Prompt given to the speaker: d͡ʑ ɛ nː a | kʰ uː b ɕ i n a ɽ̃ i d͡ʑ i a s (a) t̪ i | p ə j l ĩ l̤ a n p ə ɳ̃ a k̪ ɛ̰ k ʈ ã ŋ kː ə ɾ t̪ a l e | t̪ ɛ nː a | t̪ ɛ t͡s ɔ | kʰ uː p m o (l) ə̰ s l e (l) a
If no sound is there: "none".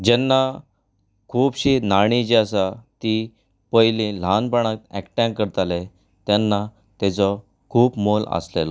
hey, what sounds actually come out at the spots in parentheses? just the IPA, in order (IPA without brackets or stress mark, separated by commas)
a, l, l